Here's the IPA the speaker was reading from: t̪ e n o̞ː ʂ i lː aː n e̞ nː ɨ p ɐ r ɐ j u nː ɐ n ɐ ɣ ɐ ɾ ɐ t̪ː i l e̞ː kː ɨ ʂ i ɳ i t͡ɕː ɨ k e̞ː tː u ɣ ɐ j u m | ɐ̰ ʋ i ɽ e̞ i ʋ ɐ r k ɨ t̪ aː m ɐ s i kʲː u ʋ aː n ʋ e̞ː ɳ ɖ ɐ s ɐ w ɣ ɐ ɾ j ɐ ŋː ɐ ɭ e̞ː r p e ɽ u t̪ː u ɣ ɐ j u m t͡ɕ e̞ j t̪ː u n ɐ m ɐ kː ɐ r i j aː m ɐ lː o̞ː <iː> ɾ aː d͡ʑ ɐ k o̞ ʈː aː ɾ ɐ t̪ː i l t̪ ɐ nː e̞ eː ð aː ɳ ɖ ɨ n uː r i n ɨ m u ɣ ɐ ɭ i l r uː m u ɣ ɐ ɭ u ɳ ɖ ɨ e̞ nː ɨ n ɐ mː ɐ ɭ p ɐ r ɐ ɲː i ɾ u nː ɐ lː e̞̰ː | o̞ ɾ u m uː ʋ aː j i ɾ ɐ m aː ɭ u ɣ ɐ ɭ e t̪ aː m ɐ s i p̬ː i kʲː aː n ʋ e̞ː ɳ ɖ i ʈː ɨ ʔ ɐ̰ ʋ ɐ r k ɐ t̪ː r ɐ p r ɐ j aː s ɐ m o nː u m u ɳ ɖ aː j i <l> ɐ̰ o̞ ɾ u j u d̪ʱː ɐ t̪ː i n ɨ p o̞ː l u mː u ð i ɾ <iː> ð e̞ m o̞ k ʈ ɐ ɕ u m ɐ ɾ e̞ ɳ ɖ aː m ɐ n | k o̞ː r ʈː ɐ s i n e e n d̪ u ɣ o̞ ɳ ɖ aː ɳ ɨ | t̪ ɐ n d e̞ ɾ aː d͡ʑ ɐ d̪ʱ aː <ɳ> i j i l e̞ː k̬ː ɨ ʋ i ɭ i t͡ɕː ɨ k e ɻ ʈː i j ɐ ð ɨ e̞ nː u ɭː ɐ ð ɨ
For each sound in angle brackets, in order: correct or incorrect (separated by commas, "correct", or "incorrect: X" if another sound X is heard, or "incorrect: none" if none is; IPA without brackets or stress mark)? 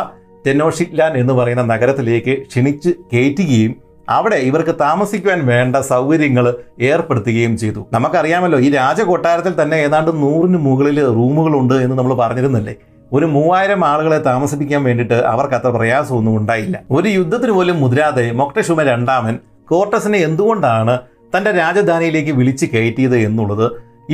correct, incorrect: lː, incorrect: aː, incorrect: n